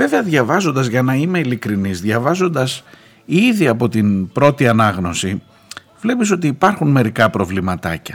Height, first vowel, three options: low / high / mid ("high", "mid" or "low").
mid